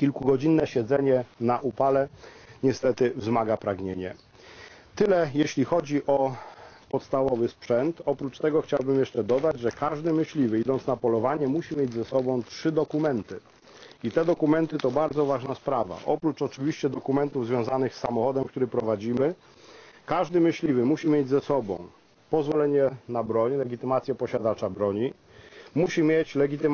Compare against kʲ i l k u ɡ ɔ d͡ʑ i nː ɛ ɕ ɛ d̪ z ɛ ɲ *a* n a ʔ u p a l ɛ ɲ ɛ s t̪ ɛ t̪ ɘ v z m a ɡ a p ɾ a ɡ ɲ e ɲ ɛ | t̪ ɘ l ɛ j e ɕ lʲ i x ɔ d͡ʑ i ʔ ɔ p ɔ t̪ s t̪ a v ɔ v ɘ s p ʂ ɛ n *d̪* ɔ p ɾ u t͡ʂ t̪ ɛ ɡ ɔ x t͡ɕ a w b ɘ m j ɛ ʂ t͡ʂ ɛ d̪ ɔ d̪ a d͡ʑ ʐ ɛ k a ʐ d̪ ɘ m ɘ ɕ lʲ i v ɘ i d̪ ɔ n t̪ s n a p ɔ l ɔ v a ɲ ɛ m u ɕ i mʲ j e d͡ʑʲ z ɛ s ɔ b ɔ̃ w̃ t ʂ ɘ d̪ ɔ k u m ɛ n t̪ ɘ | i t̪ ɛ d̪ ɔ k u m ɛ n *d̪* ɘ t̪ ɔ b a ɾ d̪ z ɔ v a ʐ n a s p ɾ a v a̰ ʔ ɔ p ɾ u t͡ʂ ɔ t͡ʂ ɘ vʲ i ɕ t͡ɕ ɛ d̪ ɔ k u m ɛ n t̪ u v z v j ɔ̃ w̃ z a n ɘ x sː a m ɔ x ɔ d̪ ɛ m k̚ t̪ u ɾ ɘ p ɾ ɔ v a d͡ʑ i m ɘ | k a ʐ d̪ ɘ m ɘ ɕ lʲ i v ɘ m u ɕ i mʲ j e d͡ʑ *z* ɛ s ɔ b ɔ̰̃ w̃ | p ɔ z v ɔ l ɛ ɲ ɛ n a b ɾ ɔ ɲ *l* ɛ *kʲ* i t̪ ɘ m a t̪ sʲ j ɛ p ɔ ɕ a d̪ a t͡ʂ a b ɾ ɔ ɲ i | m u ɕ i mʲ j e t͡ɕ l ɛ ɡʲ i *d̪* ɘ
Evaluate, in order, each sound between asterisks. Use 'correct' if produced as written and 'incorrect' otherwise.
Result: incorrect, incorrect, incorrect, correct, correct, incorrect, incorrect

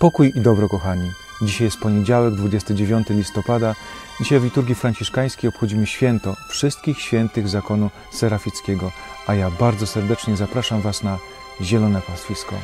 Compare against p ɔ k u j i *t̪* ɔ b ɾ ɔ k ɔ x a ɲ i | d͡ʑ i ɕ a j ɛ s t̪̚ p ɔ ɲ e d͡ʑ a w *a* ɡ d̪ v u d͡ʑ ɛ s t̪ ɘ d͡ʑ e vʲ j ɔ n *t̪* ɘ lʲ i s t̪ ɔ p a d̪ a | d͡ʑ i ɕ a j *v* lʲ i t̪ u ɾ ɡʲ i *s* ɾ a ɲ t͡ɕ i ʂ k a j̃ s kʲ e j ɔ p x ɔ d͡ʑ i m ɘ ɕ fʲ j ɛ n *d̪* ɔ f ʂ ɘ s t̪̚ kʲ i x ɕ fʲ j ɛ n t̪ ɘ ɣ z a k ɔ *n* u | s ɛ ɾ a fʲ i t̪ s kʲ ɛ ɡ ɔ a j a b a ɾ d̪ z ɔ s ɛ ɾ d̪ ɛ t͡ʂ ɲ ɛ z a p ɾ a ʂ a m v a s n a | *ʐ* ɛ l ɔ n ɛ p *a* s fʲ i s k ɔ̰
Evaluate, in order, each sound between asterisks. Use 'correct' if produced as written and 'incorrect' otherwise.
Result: incorrect, incorrect, correct, correct, incorrect, incorrect, correct, incorrect, correct

